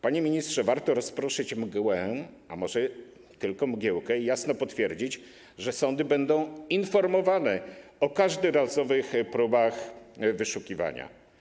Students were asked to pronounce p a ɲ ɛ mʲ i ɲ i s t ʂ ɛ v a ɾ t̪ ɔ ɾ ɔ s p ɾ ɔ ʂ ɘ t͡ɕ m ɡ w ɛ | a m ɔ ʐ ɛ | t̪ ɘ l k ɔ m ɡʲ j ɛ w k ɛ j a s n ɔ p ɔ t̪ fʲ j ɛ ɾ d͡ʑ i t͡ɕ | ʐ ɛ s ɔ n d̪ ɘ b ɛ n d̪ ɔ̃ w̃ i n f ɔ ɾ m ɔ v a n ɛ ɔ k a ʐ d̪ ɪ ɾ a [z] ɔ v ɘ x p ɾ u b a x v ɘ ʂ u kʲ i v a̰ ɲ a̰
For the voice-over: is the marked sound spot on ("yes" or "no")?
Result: yes